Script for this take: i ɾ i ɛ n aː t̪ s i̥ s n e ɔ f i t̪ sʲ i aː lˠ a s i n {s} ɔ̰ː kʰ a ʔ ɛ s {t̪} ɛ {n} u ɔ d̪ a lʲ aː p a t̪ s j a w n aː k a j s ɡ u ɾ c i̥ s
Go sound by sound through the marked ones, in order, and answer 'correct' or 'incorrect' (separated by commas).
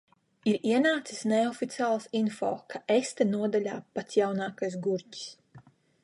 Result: incorrect, correct, correct